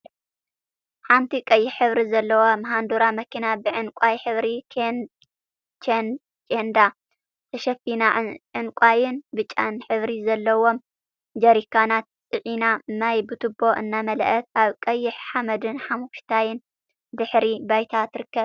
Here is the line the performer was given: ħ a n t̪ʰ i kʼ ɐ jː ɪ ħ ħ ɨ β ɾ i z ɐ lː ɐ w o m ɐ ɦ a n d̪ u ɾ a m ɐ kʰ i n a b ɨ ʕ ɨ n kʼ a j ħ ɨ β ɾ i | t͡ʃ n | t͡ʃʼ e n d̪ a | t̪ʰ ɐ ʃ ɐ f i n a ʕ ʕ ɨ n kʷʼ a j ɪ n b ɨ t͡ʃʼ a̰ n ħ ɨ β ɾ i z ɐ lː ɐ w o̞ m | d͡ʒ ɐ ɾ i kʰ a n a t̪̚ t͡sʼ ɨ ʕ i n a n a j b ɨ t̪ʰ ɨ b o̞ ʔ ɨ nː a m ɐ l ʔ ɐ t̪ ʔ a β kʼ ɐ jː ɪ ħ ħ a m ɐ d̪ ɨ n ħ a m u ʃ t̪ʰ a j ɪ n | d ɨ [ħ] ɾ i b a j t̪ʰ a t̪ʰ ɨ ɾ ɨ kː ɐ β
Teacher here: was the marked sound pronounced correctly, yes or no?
yes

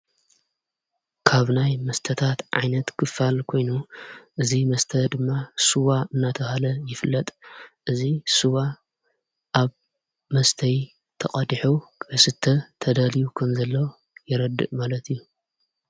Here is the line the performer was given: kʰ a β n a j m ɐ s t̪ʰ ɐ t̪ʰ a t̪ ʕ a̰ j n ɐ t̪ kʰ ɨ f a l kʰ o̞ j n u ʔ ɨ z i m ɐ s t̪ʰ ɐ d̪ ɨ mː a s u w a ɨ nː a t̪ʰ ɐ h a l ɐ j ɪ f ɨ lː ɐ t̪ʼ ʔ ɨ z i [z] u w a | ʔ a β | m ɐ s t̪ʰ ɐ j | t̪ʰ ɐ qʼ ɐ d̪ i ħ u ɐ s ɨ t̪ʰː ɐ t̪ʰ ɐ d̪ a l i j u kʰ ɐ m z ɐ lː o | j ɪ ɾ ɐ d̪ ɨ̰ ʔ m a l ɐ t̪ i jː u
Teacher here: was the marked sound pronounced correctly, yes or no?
no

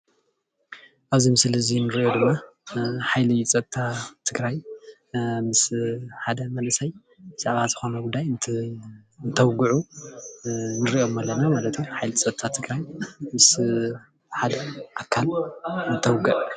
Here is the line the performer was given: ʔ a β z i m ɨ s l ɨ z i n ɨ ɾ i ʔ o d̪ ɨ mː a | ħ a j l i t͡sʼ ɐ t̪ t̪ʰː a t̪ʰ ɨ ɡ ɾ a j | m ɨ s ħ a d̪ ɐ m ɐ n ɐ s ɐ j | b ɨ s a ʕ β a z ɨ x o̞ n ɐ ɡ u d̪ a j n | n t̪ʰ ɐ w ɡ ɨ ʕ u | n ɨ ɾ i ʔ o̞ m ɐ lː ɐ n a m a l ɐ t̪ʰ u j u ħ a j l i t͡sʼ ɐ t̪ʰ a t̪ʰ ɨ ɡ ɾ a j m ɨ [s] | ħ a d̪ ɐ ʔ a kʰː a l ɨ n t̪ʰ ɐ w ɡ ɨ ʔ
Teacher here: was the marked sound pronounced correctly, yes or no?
yes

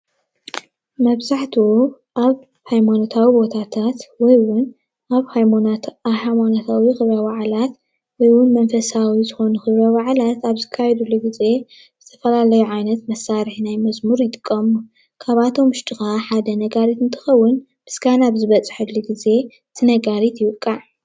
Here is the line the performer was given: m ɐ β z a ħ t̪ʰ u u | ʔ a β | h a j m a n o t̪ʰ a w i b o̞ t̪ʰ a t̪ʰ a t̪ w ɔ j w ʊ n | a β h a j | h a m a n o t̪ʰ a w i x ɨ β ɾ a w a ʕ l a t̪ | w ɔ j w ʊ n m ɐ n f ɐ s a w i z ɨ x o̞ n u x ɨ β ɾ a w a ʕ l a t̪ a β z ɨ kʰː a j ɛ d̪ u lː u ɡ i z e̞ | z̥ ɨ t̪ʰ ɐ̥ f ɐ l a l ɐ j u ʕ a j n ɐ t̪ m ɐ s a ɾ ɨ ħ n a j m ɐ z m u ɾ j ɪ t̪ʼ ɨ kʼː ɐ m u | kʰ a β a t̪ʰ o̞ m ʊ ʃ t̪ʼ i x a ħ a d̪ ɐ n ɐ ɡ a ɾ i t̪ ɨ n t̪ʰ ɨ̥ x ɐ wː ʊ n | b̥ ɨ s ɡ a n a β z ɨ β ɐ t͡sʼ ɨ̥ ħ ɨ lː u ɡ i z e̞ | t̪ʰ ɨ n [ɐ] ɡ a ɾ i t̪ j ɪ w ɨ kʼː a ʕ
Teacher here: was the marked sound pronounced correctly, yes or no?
yes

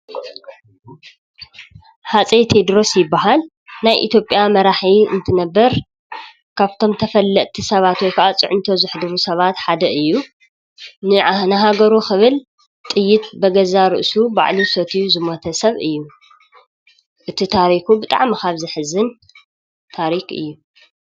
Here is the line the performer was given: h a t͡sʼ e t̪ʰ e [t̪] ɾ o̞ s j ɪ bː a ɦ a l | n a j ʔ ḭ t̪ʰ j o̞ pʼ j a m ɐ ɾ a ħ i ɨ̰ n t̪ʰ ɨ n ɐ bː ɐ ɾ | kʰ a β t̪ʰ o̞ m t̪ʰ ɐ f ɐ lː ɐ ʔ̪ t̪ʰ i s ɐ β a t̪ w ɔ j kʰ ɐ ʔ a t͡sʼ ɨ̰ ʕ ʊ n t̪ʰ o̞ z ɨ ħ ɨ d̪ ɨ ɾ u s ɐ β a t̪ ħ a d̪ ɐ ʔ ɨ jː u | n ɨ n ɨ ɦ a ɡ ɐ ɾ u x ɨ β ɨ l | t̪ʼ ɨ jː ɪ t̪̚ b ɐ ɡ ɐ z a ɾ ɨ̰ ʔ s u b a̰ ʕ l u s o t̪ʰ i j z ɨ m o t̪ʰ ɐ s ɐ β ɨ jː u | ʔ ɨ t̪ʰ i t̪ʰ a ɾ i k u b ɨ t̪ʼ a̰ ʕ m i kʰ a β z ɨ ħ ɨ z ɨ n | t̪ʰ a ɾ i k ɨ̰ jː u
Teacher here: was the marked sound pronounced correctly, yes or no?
no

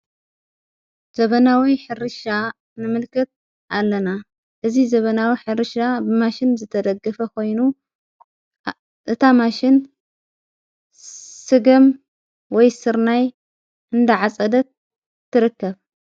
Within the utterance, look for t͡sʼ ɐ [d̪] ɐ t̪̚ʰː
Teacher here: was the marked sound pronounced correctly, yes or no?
yes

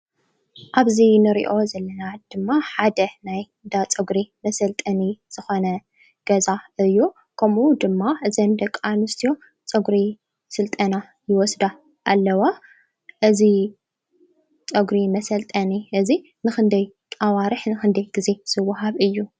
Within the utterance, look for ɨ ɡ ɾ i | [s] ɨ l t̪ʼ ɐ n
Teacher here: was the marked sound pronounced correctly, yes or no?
yes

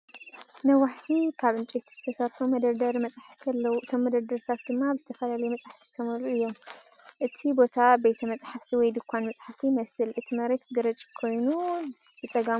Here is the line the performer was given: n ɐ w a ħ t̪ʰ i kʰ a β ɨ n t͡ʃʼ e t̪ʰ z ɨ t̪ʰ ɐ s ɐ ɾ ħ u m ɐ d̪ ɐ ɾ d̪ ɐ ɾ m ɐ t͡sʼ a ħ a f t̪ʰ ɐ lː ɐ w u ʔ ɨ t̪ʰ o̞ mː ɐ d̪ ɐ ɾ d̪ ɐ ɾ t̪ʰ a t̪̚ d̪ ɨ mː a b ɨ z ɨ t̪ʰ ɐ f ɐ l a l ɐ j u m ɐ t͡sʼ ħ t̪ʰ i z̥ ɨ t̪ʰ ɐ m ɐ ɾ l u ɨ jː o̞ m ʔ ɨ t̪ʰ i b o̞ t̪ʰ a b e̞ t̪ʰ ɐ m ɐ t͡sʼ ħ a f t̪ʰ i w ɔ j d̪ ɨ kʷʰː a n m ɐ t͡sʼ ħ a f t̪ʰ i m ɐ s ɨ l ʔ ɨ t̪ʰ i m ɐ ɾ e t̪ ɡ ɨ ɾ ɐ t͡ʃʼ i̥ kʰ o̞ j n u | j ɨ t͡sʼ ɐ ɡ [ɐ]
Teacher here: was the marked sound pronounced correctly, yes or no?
no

